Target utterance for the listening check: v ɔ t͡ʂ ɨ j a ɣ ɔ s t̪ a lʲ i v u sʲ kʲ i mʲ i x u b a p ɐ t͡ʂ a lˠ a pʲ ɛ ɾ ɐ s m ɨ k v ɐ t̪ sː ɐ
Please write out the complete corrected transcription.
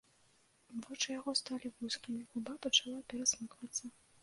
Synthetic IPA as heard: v ɔ t͡ʂ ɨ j a ɣ ɔ s t̪ a lʲ i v u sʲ kʲ i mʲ i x u b a p ɐ t͡ʂ a lˠ a pʲ ɛ ɾ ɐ s m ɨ k v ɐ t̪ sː ɐ